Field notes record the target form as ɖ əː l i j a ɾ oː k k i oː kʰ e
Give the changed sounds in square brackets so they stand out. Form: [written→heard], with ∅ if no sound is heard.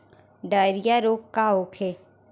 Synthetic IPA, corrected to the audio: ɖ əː [l→ɾ] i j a ɾ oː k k [i→a] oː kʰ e